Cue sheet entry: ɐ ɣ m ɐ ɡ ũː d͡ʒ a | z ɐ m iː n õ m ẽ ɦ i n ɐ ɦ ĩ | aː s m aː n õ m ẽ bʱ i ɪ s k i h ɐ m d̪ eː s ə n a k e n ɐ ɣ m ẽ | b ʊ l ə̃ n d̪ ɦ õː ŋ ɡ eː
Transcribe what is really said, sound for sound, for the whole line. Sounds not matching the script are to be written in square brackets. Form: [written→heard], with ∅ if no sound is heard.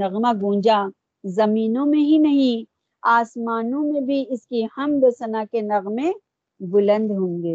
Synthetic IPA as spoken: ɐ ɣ m [ɐ→a] ɡ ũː d͡ʒ a | z ɐ m iː n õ m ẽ ɦ i n ɐ ɦ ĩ | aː s m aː n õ m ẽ bʱ i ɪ s k i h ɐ m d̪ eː s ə n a k e n ɐ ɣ m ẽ | b ʊ l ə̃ n d̪ ɦ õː ŋ ɡ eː